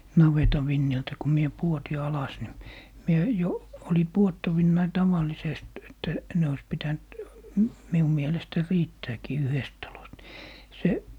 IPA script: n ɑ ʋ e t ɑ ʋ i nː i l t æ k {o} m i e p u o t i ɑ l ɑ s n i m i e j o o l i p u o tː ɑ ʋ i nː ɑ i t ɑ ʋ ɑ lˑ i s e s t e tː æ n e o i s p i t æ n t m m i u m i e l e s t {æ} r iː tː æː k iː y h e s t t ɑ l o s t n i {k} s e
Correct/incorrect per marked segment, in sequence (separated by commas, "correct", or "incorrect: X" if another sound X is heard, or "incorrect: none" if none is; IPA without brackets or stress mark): incorrect: u, correct, incorrect: none